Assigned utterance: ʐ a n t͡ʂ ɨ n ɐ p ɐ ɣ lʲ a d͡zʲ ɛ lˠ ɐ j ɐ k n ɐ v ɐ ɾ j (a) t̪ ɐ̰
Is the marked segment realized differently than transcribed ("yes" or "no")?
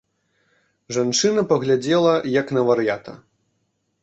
no